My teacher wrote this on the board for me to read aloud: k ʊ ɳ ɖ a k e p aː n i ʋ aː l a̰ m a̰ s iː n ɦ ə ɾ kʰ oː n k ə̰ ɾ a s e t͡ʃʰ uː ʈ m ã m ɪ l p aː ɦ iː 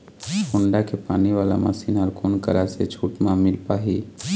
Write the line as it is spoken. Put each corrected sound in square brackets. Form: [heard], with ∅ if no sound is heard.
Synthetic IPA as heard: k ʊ ɳ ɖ a k e p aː n i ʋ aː l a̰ m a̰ s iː n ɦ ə ɾ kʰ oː n k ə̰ ɾ a s e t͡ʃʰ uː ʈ m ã m ɪ l p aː ɦ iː

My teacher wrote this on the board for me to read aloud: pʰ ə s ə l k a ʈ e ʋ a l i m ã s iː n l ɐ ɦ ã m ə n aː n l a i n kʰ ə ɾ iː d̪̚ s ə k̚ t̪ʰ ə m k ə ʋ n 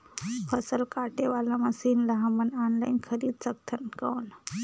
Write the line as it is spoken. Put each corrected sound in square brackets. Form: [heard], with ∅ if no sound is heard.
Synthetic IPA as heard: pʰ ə s ə l k a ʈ e ʋ a l [a] m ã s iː n l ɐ ɦ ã m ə n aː n l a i n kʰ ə ɾ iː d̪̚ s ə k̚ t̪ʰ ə [n] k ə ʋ n

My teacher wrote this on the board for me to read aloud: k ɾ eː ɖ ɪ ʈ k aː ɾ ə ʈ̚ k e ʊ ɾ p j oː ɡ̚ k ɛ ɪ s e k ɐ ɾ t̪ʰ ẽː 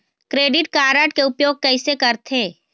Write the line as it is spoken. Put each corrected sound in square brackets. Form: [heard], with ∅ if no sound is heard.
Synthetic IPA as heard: k ɾ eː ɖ ɪ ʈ k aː ɾ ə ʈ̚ k e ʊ [∅] p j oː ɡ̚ k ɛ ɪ s e k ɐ ɾ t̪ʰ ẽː

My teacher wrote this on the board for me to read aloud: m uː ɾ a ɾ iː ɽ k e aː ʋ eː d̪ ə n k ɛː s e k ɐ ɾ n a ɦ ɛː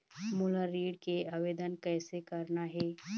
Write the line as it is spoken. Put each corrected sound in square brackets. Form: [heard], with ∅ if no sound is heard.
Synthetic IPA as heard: m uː [l] a ɾ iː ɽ k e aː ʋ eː d̪ ə n k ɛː s e k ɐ ɾ n a ɦ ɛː

